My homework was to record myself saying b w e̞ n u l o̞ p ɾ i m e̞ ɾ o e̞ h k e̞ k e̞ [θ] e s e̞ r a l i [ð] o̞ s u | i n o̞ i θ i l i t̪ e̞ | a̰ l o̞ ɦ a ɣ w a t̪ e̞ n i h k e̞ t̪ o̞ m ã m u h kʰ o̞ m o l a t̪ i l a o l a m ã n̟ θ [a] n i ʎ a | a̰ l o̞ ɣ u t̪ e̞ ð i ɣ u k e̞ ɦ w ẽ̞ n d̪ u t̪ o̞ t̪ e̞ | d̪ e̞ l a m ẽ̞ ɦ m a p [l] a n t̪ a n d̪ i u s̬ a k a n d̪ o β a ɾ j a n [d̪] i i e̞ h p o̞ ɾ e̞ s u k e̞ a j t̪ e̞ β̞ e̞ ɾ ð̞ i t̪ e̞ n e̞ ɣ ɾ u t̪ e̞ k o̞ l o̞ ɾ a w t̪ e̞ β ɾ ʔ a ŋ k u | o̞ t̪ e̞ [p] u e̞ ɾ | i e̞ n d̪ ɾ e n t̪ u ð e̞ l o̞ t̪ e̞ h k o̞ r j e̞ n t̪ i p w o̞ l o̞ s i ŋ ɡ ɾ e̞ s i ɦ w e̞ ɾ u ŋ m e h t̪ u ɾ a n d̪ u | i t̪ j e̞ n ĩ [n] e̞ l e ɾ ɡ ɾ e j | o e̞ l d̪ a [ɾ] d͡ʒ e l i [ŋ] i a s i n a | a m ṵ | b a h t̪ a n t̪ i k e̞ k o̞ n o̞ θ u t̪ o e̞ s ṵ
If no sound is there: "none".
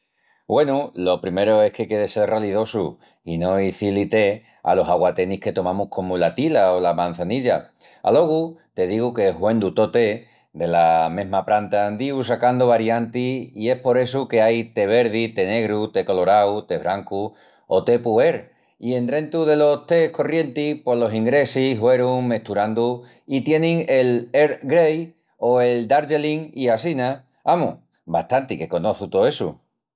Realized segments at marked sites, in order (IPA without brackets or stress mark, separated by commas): ð, ð, a, ɾ, t̪, p, ŋ, ɾ, ŋ